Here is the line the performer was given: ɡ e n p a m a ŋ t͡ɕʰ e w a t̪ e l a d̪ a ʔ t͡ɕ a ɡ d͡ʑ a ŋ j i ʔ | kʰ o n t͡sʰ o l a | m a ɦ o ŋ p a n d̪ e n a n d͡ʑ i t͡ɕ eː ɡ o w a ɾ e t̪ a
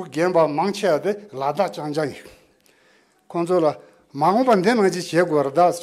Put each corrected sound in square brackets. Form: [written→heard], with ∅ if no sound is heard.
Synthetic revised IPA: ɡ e n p a m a ŋ t͡ɕʰ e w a t̪ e l a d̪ a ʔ t͡ɕ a [ɡ→ŋ] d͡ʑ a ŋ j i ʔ | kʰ o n t͡sʰ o l a | m a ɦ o ŋ p a n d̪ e n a [n→ŋ] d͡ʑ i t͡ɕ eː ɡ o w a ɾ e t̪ a

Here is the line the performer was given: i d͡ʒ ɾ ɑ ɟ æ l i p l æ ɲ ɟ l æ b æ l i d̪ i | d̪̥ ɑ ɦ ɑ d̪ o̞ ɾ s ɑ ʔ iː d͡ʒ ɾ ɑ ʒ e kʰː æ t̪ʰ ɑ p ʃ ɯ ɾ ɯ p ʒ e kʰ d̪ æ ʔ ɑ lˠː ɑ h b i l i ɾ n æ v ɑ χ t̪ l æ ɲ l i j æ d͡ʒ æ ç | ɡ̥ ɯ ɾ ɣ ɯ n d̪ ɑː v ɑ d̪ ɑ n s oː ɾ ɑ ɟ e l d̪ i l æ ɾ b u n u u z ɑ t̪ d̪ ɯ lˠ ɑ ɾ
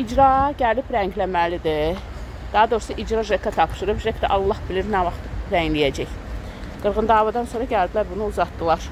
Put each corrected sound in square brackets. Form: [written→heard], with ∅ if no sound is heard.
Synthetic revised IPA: i d͡ʒ ɾ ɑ ɟ æ l i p [l→ɾ] æ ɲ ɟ l æ [b→m] æ l i d̪ i | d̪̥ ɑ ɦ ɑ d̪ o̞ ɾ s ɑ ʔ [iː→i] d͡ʒ ɾ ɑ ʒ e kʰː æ t̪ʰ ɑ p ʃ ɯ ɾ ɯ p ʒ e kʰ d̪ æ ʔ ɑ lˠː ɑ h b i l i ɾ n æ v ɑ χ t̪ [l→ɾ] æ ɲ l i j æ d͡ʒ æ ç | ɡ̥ ɯ ɾ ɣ ɯ n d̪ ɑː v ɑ d̪ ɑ n s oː ɾ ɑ ɟ [e→æ] l d̪ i l æ ɾ b u n u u z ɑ t̪ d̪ ɯ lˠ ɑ ɾ

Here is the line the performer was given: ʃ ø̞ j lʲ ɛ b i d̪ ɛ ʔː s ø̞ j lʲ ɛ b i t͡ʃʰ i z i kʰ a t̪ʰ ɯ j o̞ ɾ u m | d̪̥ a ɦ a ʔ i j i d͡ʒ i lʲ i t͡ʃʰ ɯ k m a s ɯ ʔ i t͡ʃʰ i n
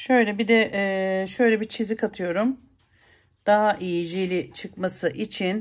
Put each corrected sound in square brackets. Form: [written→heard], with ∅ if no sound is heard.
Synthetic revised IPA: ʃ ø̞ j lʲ ɛ b i d̪ ɛ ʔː [s→ʃ] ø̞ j lʲ ɛ b i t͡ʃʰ i z i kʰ a t̪ʰ ɯ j o̞ ɾ u m | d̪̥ a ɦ a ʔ i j i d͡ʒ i lʲ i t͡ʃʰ ɯ k m a s ɯ ʔ i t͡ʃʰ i n

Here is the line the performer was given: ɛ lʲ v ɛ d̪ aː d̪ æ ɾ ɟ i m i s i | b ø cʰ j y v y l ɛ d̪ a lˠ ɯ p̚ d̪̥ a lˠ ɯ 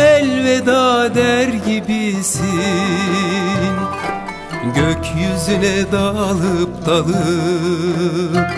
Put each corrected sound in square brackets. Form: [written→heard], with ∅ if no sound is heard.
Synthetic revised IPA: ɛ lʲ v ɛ d̪ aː d̪ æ ɾ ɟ i [m→b] i s i | [b→ɟ] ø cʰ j y [v→z] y l ɛ d̪ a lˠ ɯ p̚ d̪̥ a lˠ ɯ

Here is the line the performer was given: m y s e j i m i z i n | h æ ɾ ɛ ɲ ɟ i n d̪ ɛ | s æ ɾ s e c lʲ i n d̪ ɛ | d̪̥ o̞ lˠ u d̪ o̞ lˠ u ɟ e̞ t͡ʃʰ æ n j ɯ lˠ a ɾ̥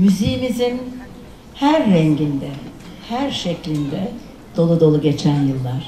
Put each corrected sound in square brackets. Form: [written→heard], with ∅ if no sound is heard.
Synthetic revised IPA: m y [s→z] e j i m i z i n | h æ [ɾ→ɾː] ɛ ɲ ɟ i n d̪ ɛ | [s→h] æ ɾ [s→ʃ] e c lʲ i n d̪ ɛ | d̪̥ o̞ lˠ u d̪ o̞ lˠ u ɟ e̞ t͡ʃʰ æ n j ɯ [lˠ→lˠː] a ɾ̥

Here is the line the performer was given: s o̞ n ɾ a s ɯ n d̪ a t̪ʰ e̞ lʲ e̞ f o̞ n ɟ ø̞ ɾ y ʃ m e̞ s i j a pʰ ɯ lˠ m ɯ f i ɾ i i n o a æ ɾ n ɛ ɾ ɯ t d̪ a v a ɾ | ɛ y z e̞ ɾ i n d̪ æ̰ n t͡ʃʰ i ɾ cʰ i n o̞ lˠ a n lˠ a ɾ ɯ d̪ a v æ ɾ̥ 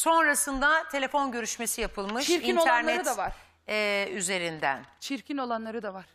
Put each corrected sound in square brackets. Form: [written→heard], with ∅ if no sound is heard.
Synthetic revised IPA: s o̞ n ɾ a s ɯ n d̪ a t̪ʰ e̞ lʲ e̞ f o̞ n ɟ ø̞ ɾ y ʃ m e̞ s i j a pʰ ɯ lˠ m ɯ [f→ʃ] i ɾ i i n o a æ ɾ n ɛ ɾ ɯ t d̪ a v a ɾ | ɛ y z e̞ ɾ i n d̪ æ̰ n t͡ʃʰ i ɾ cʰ i n o̞ lˠ a n lˠ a ɾ ɯ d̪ a v [æ→a] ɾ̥

